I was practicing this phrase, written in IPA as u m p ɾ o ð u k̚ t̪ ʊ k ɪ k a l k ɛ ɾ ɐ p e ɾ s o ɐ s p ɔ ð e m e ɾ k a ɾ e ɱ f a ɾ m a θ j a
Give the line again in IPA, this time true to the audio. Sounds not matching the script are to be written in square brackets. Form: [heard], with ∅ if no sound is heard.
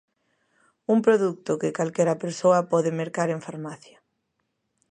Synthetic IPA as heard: u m p ɾ o ð u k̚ t̪ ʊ k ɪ k a l k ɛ ɾ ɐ p e ɾ s o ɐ [∅] p ɔ ð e m e ɾ k a ɾ e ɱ f a ɾ m a θ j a